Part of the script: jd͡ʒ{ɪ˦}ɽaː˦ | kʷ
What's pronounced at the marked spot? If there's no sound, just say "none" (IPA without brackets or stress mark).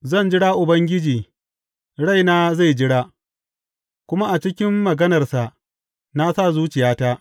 ɪ˦